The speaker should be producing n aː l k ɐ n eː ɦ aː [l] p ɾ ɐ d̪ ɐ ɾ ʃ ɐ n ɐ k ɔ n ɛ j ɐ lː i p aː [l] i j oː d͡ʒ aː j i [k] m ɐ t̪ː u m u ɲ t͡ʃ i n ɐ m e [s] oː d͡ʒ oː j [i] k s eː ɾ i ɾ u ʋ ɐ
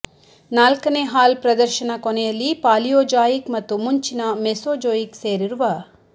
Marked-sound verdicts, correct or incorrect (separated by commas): correct, correct, correct, correct, correct